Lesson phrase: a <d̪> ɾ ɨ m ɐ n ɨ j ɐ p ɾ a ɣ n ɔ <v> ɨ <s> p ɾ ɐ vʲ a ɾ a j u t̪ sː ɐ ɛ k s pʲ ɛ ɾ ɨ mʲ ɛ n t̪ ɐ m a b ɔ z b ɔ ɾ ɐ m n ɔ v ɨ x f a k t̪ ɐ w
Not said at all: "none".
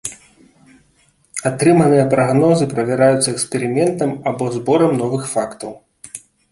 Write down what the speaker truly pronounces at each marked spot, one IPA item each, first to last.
t̪, z, none

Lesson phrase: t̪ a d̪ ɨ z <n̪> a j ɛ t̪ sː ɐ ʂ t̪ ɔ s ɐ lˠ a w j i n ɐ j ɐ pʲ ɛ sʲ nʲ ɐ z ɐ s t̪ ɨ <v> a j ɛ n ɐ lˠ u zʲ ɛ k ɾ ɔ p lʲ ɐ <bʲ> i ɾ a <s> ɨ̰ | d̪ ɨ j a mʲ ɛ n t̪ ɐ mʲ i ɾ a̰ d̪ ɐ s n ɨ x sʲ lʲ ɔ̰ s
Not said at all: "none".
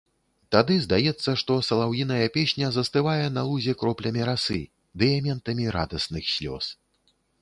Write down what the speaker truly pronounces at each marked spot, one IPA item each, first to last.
d̪, v, mʲ, s

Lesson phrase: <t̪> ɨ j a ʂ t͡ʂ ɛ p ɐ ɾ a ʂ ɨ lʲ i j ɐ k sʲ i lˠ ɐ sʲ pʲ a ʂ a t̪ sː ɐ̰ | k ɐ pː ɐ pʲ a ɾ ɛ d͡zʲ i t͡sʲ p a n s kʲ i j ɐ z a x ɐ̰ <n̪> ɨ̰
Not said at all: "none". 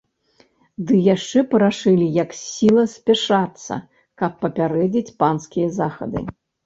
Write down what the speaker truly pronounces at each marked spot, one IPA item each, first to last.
d̪, d̪

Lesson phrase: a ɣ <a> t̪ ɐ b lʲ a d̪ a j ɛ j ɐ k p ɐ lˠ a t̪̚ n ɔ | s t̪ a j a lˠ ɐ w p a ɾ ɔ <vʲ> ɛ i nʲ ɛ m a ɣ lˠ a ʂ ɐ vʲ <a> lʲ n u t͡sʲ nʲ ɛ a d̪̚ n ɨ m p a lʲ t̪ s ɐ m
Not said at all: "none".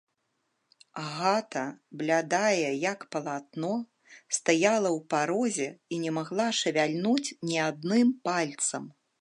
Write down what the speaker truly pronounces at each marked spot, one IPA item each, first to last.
a, zʲ, a

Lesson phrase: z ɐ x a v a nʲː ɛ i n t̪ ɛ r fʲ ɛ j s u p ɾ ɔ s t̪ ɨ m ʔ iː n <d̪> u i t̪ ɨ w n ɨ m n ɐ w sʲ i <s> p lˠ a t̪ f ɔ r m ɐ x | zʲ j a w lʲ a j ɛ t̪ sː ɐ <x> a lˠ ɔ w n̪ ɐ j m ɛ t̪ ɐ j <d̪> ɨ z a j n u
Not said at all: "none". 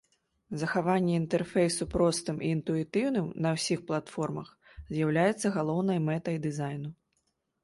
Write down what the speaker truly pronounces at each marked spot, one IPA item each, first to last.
t̪, x, ɣ, d̪

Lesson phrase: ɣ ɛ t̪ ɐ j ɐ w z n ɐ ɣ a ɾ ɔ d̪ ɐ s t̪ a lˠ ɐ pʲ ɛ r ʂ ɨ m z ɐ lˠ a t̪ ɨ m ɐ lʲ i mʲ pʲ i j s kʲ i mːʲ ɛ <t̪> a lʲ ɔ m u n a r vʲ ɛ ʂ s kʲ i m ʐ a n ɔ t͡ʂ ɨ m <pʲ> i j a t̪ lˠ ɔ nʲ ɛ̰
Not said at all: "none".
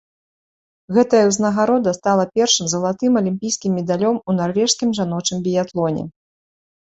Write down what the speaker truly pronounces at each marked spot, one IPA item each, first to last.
d̪, bʲ

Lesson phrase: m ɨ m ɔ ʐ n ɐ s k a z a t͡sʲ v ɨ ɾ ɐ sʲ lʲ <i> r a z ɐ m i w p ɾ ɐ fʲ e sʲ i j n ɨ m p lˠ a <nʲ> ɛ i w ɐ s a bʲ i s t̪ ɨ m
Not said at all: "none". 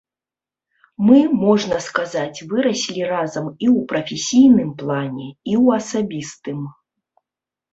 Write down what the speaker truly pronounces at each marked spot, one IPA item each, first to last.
i, nʲ

